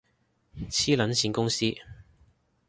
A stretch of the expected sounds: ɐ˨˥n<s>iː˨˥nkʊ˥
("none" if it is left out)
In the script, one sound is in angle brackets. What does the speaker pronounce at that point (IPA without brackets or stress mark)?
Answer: s